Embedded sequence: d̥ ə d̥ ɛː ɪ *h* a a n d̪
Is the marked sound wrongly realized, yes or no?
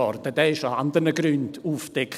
yes